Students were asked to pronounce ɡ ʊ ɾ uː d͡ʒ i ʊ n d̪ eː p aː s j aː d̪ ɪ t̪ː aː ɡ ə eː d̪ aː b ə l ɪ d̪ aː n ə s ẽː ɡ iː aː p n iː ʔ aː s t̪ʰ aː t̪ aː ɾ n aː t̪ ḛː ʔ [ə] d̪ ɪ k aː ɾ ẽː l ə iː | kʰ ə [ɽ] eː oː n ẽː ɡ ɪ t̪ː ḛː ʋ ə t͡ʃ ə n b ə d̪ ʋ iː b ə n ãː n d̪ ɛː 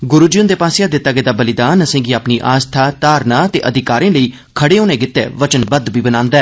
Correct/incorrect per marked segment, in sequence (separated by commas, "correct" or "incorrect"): correct, correct